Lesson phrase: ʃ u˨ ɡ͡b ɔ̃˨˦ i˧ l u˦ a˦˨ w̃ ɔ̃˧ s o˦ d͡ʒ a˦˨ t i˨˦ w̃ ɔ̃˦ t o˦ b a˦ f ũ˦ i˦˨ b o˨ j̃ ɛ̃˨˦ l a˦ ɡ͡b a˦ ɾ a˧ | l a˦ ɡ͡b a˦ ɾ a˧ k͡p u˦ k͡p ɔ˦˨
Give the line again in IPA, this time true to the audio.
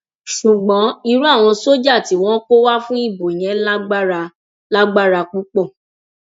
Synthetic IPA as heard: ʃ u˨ ɡ͡b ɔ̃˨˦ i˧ ɾ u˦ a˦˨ w̃ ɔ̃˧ s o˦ d͡ʒ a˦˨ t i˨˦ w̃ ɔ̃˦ k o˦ w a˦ f ũ˦ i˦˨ b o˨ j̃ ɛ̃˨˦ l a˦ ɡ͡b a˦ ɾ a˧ | l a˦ ɡ͡b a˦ ɾ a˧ k͡p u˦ k͡p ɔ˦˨